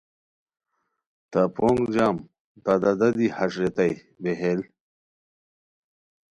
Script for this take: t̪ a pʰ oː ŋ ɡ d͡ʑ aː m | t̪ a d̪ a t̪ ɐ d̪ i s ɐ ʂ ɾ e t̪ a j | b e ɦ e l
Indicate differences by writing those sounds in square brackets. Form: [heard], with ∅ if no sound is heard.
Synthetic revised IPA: t̪ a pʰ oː ŋ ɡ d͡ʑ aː m | t̪ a d̪ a [d̪] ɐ d̪ i [h] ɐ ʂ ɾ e t̪ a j | b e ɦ e l